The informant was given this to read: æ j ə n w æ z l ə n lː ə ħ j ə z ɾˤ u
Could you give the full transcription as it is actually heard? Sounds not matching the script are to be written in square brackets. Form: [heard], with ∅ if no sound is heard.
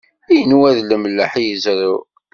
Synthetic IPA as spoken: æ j ə n w æ [ð] l ə [m] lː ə ħ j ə z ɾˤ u